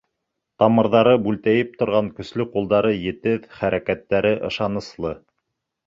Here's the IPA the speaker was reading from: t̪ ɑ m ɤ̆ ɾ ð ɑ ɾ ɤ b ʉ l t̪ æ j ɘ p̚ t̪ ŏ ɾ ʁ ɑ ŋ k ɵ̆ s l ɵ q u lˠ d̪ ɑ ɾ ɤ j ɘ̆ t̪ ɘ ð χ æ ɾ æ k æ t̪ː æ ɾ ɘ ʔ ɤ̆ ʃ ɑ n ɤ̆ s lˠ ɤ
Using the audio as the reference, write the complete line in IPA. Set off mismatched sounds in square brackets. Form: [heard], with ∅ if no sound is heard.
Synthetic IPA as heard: t̪ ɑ m ɤ̆ ɾ ð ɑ ɾ ɤ b ʉ l t̪ æ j ɘ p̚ t̪ ŏ ɾ ʁ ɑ ŋ k ɵ̆ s l ɵ q u lˠ d̪ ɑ ɾ ɤ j ɘ̆ t̪ ɘ ð χ æ ɾ æ k æ t̪ː æ ɾ ɘ ʔ ɤ̆ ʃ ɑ n ɤ̆ s lˠ ɤ